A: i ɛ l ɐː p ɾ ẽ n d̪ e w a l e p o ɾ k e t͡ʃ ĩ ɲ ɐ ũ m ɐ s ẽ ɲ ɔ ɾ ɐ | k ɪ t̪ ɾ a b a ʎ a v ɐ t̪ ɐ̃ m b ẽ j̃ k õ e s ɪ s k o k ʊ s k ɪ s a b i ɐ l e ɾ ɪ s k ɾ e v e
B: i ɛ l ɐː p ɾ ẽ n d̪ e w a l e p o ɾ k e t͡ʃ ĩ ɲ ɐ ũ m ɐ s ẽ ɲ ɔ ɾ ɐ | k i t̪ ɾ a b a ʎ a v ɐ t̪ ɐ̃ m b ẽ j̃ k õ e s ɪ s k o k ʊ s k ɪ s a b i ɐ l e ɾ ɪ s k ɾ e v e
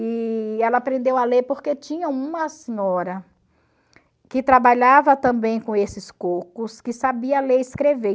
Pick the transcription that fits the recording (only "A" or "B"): A